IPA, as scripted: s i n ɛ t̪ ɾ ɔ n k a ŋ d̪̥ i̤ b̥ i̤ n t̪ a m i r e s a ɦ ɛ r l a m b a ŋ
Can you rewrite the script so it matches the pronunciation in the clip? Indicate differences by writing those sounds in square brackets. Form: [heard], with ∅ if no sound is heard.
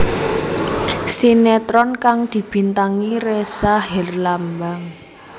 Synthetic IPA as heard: s i n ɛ t̪ ɾ ɔ n k a ŋ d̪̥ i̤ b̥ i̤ n t̪ a [ŋ] i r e s a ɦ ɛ r l a m b a ŋ